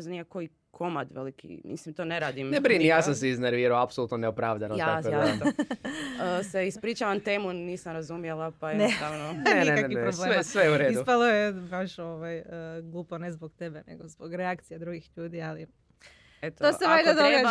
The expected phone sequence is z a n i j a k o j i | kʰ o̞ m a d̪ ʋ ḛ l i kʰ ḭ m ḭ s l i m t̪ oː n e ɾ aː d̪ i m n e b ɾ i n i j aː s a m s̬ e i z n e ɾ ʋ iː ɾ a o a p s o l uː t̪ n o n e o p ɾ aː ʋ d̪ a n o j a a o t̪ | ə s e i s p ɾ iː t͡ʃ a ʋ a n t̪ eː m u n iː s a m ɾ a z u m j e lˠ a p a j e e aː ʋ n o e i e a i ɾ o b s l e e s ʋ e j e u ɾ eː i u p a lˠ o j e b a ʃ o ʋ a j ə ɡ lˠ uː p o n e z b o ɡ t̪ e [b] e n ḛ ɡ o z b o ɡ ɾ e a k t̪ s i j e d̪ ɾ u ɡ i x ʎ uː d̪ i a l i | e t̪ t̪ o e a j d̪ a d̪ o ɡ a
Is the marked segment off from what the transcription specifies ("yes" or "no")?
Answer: no